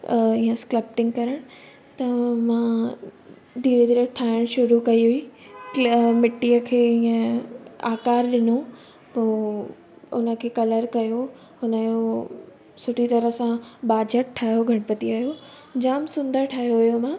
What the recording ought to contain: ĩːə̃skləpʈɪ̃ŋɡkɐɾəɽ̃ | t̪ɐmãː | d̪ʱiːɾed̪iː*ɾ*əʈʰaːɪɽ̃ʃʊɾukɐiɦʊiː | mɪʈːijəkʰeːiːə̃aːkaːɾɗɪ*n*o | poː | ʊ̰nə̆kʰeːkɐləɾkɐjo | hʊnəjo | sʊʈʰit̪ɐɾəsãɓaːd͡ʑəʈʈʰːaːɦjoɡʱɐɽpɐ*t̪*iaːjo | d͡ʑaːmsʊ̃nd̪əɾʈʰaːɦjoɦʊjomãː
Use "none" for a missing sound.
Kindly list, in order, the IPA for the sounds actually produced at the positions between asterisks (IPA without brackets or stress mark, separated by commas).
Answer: ɾ, n, t̪